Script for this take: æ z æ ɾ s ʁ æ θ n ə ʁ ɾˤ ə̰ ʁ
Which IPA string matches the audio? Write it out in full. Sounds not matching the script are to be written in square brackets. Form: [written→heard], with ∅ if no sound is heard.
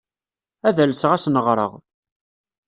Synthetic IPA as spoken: æ [z→ð] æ [ɾ→l] s ʁ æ [θ→s] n ə ʁ ɾˤ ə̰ ʁ